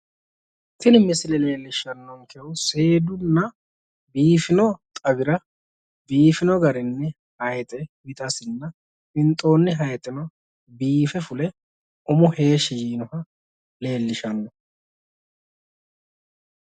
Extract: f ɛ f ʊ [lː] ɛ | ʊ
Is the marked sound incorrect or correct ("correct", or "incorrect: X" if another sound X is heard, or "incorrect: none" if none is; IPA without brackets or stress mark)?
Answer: incorrect: l